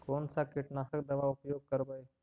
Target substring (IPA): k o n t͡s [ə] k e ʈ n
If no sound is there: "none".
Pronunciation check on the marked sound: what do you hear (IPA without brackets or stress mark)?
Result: a